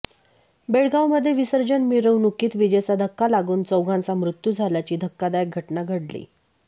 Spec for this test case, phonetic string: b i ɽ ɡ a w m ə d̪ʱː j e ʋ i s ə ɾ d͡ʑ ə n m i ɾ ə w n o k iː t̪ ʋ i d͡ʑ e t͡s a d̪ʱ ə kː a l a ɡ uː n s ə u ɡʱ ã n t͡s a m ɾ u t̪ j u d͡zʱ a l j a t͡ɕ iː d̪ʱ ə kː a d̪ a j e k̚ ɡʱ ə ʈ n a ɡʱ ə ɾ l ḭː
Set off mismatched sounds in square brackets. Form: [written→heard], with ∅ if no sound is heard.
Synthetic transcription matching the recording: b [i→e] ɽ ɡ a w m ə d̪ʱː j e ʋ i s ə ɾ d͡ʑ ə n m i ɾ ə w n [o→u] k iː t̪ ʋ i d͡ʑ e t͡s a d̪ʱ ə kː a l a ɡ uː n [s→t͡s] ə [u→w] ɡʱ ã n t͡s a m ɾ u t̪ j u d͡zʱ a l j a t͡ɕ iː d̪ʱ ə kː a d̪ a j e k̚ ɡʱ ə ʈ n a ɡʱ ə [ɾ→ɽ] l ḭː